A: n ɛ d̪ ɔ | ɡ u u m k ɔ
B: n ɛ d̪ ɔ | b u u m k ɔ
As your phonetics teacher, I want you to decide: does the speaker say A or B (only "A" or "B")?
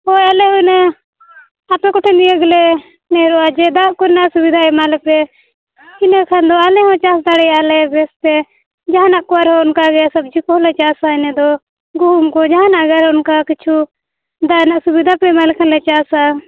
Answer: A